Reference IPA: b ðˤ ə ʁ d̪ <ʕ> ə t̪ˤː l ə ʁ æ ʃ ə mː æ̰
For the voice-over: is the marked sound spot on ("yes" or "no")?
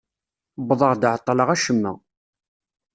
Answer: yes